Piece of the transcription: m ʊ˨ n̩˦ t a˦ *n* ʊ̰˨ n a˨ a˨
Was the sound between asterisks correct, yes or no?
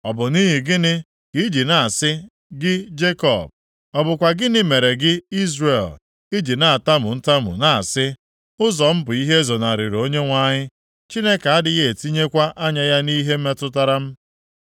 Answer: no